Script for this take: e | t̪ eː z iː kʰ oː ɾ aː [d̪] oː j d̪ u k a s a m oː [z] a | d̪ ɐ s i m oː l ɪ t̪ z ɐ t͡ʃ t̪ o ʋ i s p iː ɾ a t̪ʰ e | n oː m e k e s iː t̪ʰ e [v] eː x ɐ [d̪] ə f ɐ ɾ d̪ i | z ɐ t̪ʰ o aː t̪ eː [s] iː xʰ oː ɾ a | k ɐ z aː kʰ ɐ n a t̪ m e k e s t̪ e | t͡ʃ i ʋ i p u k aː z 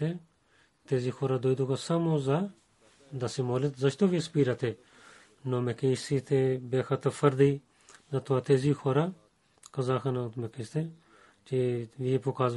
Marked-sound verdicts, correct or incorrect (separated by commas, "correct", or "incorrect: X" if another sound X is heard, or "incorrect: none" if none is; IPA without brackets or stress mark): correct, correct, incorrect: b, incorrect: t̪, incorrect: z